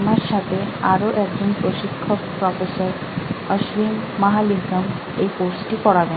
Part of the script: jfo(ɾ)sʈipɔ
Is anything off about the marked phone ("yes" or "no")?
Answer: no